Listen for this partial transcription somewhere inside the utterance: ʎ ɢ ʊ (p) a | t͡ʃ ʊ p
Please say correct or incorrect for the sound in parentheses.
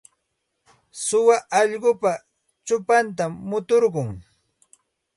correct